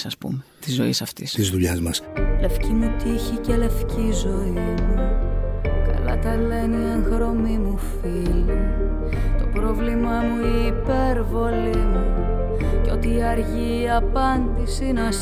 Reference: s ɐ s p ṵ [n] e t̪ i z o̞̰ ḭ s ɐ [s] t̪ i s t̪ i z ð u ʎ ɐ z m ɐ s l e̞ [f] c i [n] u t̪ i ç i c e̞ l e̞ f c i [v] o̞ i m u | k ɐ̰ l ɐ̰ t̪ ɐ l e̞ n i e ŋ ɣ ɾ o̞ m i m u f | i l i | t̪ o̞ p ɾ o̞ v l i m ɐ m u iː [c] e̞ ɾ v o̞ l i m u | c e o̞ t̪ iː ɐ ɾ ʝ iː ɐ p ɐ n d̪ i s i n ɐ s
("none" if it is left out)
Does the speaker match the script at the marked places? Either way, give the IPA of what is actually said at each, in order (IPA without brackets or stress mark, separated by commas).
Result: m, f, f, m, z, p